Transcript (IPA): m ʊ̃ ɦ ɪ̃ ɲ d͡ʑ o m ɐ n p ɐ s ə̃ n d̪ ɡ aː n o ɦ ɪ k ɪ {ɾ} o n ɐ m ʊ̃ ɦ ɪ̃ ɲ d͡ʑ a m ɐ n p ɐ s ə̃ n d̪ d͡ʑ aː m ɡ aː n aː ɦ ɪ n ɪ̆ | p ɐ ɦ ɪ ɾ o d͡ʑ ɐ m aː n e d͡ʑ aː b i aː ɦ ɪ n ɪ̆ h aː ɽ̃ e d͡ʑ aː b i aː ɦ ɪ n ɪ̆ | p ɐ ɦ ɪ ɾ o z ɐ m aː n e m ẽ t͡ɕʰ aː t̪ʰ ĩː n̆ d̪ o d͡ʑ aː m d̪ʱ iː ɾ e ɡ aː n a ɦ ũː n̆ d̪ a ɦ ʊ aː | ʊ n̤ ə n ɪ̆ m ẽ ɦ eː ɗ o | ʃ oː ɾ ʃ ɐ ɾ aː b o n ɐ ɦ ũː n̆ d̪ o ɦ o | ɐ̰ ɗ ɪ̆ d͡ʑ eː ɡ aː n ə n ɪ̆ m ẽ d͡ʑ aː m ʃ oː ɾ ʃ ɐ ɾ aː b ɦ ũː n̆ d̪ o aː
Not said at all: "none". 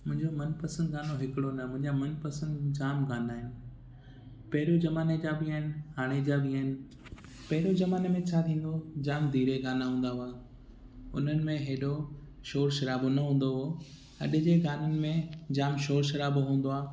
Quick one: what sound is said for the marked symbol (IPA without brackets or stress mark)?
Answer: ɽ